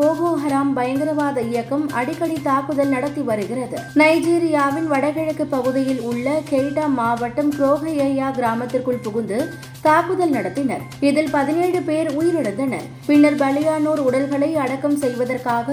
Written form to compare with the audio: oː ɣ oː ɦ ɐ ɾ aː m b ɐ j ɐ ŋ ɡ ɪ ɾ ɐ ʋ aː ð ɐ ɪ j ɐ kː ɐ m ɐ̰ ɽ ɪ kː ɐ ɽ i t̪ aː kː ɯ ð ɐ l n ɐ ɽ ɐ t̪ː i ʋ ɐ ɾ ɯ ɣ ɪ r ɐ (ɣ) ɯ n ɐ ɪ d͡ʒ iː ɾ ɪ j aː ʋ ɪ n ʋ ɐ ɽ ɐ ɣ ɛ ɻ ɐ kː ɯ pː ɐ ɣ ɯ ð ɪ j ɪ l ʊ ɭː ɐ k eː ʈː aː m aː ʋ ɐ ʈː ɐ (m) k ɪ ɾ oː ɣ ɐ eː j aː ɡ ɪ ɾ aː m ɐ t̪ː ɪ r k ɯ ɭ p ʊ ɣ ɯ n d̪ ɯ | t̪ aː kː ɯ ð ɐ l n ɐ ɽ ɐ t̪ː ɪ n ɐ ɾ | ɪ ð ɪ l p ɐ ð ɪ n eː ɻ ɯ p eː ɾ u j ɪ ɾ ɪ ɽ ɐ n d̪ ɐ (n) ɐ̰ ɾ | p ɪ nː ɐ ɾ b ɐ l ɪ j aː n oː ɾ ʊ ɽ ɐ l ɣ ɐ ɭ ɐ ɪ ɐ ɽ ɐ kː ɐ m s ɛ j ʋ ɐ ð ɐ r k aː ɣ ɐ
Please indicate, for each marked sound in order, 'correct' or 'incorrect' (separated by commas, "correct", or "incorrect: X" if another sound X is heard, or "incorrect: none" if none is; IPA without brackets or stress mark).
incorrect: ð, correct, correct